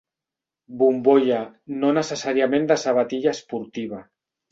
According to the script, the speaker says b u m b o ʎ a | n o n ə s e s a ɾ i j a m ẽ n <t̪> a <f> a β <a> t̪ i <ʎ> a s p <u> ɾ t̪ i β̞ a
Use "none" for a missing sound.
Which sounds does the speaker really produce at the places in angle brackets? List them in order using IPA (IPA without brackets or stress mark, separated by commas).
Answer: d̪, s, a, ʎ, u